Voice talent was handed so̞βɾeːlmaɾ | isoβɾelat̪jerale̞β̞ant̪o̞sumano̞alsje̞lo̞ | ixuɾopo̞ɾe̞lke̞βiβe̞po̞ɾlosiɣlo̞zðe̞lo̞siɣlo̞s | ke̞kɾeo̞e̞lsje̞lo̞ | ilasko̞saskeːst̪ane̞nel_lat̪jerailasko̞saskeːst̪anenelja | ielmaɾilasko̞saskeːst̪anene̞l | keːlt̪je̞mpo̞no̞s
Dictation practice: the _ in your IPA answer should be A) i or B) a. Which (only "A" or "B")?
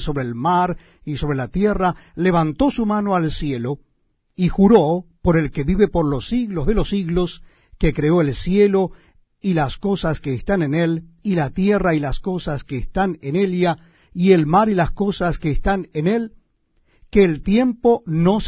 A